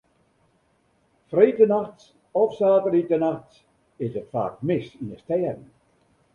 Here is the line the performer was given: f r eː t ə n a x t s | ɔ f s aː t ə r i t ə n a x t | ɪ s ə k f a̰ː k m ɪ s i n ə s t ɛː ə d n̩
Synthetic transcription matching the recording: f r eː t ə n a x t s | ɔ f s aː t ə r i t ə n a x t | ɪ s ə t f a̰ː k m ɪ s i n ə s t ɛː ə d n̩